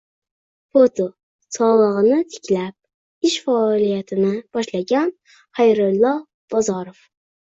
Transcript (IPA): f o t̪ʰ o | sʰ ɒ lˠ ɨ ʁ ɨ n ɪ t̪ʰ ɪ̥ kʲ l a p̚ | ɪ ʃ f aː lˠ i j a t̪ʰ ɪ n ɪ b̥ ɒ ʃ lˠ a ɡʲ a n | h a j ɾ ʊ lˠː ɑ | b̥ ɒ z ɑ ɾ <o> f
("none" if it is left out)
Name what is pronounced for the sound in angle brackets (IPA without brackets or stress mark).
o